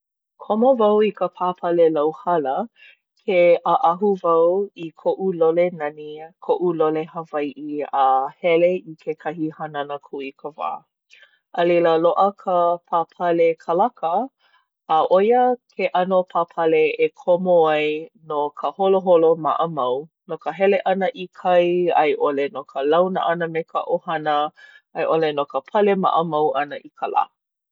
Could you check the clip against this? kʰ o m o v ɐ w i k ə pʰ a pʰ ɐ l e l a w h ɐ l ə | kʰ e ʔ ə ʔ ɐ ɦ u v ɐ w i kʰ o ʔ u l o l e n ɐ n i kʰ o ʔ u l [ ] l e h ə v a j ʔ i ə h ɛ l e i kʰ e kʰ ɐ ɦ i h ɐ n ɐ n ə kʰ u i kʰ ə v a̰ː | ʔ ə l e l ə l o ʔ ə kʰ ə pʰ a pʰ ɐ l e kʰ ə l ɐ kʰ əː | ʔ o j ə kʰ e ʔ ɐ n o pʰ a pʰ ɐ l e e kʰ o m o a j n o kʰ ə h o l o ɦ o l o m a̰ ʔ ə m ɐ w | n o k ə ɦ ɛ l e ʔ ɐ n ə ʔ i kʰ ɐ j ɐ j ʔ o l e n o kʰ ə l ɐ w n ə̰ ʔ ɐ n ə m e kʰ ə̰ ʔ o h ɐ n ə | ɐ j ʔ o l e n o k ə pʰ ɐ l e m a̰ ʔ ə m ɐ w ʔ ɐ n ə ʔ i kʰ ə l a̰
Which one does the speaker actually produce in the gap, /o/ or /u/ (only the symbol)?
o